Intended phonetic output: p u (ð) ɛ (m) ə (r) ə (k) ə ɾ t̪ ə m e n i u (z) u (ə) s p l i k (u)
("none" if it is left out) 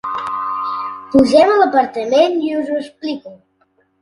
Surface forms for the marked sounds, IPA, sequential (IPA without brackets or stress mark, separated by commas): ʒ, m, l, p, z, ə, u